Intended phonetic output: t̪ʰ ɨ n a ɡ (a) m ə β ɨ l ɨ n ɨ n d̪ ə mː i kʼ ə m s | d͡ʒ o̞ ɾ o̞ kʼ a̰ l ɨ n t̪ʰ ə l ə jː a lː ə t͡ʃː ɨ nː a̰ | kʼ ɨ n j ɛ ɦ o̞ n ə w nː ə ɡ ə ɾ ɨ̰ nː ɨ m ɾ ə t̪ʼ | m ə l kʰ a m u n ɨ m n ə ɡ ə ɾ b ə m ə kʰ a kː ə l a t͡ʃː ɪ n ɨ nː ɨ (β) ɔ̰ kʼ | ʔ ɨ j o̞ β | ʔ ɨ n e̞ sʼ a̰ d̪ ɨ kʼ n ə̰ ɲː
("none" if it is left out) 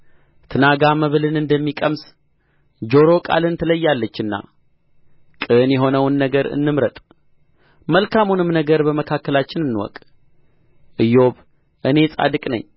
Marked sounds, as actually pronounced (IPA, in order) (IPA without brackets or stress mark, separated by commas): a, w